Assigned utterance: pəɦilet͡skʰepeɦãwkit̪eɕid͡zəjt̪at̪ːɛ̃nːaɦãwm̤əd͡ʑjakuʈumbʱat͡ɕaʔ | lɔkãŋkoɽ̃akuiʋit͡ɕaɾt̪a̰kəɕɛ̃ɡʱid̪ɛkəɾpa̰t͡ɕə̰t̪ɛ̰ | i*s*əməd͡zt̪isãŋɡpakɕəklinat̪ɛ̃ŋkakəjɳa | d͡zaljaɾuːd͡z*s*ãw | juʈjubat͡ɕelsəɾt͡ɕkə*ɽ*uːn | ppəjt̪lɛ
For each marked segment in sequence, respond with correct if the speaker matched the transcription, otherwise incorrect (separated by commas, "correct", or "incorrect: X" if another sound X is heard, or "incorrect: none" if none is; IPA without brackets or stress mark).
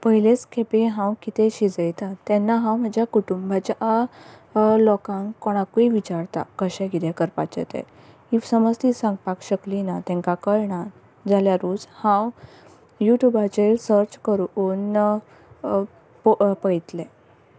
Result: correct, incorrect: h, incorrect: ɾ